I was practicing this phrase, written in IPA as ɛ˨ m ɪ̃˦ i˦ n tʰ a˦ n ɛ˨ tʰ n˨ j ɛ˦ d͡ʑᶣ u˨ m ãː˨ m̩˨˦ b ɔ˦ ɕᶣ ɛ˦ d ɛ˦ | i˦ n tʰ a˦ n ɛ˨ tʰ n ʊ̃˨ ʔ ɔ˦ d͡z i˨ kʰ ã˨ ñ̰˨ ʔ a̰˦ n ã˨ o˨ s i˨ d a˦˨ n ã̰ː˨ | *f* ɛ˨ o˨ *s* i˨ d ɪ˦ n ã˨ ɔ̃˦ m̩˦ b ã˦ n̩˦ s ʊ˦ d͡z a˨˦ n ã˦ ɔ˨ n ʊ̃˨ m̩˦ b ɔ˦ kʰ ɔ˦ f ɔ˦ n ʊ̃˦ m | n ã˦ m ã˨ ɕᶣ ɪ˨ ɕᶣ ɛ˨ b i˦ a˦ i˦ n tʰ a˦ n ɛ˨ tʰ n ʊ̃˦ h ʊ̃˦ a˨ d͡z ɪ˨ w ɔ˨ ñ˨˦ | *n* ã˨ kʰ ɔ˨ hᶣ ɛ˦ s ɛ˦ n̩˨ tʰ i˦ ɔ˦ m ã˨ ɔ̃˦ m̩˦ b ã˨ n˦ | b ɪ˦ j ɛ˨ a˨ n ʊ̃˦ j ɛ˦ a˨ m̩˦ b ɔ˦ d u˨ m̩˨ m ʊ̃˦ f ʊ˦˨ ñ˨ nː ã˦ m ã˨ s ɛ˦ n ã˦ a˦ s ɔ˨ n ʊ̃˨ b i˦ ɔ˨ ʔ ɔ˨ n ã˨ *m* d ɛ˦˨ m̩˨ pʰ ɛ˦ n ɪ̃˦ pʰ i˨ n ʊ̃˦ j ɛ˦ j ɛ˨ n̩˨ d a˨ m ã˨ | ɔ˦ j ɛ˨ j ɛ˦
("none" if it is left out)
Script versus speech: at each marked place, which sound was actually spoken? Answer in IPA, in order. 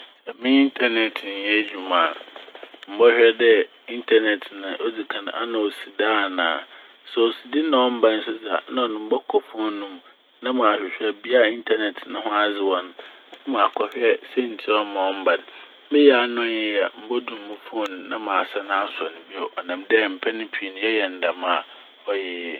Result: s, s, m, m

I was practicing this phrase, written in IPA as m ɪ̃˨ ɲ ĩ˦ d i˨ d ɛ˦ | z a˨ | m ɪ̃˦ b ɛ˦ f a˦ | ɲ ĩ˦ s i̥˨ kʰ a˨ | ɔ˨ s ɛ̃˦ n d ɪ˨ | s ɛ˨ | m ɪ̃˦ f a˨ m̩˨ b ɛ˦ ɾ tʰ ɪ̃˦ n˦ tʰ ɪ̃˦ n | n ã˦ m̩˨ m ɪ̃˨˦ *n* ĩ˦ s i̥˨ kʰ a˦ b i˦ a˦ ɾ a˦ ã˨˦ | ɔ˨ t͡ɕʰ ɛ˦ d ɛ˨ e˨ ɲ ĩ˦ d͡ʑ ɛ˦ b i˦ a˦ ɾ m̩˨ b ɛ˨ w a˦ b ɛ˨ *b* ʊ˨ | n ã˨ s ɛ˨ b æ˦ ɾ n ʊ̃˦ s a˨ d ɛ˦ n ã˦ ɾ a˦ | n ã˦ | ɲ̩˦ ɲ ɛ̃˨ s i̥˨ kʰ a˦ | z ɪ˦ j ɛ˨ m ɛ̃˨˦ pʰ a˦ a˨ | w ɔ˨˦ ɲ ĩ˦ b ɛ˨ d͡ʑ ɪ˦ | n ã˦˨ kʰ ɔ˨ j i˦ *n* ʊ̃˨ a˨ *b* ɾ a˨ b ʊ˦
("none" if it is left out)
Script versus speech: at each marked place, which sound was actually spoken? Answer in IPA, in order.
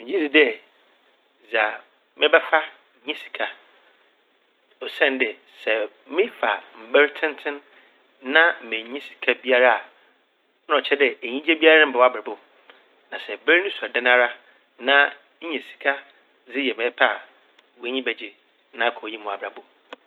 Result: ɲ, b, m, b

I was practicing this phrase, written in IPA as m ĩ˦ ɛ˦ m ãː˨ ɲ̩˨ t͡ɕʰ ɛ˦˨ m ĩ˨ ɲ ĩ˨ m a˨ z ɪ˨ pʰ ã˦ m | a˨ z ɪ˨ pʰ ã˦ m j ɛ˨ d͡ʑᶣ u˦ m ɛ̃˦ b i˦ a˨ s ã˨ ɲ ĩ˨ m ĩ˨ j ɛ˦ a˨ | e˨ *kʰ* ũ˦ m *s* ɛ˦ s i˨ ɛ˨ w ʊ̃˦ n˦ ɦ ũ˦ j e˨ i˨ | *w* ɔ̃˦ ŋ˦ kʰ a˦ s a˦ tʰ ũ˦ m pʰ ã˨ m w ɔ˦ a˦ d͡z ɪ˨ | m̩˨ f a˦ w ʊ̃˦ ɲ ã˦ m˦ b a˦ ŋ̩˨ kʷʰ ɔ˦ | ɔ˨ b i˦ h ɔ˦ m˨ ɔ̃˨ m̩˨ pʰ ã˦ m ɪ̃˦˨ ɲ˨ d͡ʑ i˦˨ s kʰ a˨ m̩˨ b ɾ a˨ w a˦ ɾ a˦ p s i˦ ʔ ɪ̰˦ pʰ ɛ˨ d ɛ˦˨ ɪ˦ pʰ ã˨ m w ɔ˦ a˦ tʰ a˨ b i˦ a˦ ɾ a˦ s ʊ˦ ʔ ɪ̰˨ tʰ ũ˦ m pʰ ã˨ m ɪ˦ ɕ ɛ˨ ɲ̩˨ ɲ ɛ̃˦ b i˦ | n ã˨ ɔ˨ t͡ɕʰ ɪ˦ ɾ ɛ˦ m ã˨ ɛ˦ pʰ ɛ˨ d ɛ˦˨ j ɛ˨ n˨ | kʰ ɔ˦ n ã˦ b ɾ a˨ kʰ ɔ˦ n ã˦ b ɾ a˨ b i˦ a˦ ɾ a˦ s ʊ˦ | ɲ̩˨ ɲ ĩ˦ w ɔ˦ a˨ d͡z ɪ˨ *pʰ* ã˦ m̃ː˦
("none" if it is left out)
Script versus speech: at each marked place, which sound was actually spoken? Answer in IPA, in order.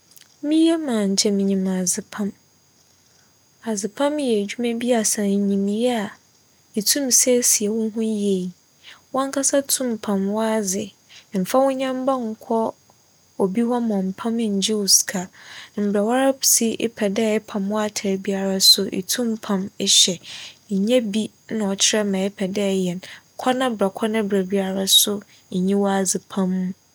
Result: tʰ, s, w, pʰ

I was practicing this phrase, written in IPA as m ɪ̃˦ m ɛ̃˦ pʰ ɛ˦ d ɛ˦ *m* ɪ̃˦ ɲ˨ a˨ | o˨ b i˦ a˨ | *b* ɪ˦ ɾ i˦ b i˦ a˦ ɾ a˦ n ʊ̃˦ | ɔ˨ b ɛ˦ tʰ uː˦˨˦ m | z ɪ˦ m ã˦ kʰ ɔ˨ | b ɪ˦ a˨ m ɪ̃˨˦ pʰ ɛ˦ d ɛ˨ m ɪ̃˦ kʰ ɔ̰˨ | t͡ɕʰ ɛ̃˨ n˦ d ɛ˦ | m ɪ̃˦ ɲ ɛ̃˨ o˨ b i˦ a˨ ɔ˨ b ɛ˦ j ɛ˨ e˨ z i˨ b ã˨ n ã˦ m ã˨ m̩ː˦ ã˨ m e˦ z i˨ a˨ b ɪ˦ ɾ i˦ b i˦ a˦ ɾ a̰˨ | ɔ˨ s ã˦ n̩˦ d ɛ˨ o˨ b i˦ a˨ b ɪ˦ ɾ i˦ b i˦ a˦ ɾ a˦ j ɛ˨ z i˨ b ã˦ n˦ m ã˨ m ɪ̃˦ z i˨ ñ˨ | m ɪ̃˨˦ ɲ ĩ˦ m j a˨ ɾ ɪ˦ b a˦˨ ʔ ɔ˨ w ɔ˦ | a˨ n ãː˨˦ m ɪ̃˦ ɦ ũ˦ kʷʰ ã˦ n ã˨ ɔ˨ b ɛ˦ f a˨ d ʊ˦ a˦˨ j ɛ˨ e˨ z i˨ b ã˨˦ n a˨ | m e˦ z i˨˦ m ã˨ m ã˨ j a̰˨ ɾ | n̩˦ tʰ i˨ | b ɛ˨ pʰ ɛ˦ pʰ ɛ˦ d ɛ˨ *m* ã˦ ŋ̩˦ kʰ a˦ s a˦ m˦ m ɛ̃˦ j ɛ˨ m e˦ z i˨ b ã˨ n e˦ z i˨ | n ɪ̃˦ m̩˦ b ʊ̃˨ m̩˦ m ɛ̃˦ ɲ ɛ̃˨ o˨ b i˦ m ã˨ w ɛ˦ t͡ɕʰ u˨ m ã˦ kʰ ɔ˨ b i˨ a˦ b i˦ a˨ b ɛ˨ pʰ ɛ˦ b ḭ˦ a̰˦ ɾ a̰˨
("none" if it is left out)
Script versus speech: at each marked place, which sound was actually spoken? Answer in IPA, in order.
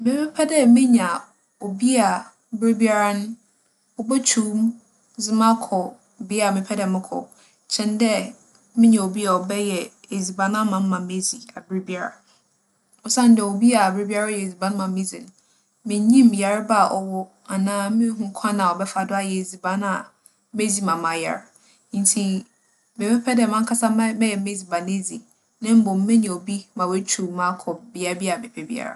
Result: m, b, m

